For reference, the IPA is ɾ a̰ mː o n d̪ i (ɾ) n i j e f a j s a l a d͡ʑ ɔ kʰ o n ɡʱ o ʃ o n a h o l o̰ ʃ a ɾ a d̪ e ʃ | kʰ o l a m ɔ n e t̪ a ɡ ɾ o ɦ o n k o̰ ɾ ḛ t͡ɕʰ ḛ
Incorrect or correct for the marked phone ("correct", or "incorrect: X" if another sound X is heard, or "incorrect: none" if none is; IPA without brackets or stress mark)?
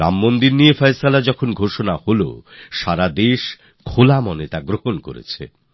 correct